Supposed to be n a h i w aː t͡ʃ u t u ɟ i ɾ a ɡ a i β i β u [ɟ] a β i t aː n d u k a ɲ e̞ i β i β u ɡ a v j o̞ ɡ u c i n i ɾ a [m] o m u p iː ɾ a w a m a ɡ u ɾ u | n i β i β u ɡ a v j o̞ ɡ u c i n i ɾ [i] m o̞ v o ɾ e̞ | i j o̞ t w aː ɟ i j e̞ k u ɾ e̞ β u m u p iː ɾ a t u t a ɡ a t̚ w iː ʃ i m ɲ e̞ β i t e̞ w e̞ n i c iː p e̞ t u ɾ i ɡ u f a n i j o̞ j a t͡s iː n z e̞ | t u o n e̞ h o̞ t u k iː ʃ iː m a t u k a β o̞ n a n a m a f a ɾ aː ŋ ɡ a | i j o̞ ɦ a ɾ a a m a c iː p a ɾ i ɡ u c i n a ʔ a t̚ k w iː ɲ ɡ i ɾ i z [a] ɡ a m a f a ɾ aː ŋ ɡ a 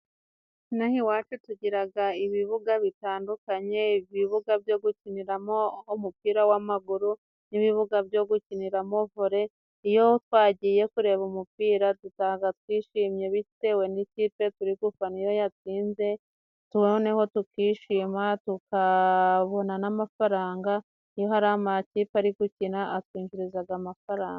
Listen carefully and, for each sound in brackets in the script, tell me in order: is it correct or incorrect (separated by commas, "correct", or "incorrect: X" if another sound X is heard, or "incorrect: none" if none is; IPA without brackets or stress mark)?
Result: incorrect: ɡ, correct, incorrect: a, correct